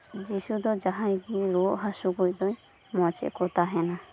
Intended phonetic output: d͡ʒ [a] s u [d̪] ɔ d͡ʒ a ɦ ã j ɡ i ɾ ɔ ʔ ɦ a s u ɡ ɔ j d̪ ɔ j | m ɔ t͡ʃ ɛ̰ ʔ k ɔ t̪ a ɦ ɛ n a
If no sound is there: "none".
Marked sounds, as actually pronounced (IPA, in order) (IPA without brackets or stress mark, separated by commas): i, d̪